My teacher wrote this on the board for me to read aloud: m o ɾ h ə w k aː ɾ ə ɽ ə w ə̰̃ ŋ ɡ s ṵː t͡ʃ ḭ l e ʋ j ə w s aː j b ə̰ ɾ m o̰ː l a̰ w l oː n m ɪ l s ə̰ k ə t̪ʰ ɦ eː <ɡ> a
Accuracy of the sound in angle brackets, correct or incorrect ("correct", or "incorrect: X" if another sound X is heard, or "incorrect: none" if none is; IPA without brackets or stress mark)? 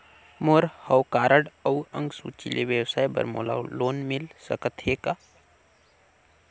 incorrect: k